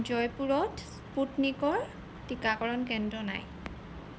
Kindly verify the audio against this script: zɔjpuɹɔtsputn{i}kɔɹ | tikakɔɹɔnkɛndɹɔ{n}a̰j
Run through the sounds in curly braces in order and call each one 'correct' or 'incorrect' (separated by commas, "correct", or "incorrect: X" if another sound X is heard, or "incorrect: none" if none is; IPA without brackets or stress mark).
correct, correct